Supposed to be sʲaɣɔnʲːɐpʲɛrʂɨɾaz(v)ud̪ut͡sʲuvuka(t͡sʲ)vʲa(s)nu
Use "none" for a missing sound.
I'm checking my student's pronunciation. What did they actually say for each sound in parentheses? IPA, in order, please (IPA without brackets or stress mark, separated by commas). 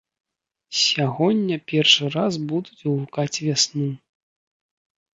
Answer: b, t͡sʲ, s